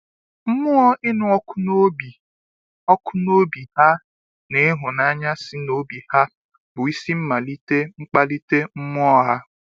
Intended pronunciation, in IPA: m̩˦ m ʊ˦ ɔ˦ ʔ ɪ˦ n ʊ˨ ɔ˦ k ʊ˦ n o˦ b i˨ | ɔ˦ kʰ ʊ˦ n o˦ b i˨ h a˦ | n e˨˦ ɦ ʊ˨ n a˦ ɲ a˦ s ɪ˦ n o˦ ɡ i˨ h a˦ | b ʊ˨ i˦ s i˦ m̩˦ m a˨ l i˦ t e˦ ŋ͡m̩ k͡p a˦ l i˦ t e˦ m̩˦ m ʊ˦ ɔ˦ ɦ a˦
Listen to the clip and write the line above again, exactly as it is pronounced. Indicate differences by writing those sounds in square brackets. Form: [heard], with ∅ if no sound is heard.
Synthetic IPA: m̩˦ m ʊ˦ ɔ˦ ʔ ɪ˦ n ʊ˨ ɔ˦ k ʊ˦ n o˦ b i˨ | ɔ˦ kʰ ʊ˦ n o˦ b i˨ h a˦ | n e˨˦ ɦ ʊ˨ n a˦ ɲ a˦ s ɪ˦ n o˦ [b] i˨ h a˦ | b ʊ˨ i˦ s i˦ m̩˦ m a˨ l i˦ t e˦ ŋ͡m̩ k͡p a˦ l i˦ t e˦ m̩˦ m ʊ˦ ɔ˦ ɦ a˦